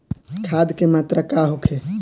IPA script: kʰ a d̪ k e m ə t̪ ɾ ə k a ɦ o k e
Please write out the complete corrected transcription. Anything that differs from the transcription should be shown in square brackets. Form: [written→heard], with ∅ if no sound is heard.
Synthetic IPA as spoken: kʰ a d̪ k e m [ə→a] t̪ ɾ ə k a ɦ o [k→kʰ] e